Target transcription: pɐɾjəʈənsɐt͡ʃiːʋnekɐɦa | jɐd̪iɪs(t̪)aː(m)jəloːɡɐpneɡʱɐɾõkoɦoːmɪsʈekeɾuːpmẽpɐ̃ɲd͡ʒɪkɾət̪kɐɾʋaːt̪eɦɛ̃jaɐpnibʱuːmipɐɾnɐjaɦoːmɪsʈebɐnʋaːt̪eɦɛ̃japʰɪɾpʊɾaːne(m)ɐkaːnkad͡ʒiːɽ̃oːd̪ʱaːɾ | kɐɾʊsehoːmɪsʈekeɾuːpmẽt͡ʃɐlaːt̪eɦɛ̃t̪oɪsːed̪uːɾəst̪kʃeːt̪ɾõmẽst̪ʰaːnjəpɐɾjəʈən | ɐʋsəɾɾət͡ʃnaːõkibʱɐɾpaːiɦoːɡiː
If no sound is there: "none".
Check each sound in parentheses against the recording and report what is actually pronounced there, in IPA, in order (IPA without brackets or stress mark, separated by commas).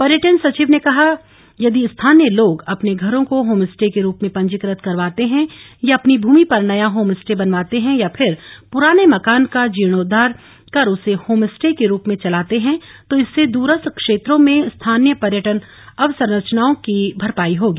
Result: t̪ʰ, n, m